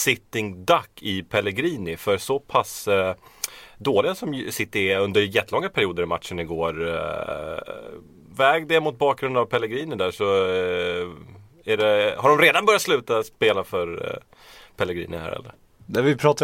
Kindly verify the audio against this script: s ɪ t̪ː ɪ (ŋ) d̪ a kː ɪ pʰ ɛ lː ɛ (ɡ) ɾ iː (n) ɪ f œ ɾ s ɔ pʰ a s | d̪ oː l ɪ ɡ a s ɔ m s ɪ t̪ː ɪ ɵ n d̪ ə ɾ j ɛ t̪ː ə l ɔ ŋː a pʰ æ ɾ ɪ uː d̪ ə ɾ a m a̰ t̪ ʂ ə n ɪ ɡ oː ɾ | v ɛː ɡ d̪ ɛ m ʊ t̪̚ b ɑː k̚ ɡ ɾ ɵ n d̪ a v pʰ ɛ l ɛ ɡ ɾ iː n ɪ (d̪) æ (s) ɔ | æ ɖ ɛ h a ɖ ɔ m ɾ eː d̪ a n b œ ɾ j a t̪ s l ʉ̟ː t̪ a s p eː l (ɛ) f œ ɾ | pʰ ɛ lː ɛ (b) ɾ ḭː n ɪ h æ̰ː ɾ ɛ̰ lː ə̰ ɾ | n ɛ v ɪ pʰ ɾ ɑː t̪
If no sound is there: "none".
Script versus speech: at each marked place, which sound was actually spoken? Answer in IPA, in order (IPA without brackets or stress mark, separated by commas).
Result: ŋ, ɡ, n, d̪, ʂ, a, ɡ